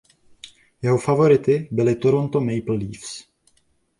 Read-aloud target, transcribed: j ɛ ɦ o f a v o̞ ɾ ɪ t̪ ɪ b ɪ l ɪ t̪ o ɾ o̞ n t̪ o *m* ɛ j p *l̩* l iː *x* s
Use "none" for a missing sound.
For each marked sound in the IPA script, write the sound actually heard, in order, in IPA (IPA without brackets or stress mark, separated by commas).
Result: m, l̩, f